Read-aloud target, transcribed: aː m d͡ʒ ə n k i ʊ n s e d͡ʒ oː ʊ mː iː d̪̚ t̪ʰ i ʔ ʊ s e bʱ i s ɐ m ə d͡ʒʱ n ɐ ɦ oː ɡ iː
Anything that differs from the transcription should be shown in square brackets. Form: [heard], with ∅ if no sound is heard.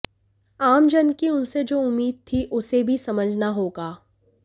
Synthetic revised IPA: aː m d͡ʒ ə n k i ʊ n s e d͡ʒ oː ʊ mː iː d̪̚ t̪ʰ i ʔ ʊ s e bʱ i s ɐ m ə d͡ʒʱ n [a] ɦ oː ɡ [aː]